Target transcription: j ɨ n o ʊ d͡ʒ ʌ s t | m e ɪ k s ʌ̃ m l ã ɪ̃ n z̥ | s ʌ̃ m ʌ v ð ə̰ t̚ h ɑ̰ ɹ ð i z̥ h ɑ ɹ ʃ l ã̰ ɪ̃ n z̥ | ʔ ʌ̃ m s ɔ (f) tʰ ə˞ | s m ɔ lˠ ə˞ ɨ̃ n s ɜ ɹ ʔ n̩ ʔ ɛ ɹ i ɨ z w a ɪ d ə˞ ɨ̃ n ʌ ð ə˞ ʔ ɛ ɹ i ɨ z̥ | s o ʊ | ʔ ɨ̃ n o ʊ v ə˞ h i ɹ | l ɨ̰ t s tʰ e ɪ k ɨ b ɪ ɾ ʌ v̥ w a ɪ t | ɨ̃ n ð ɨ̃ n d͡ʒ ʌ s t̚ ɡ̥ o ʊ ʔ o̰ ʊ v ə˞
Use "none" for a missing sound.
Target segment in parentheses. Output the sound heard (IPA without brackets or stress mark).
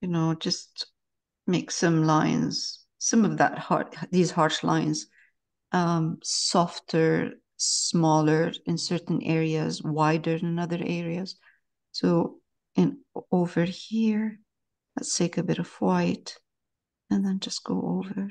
f